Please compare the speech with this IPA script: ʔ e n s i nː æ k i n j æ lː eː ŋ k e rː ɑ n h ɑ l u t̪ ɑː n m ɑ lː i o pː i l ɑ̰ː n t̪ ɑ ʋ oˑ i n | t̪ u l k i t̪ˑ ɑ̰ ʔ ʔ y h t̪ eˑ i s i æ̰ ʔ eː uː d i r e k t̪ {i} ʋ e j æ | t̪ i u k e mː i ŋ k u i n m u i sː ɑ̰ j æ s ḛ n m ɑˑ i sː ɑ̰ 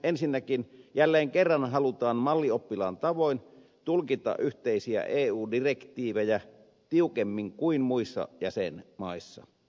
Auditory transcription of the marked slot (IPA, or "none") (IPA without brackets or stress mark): iː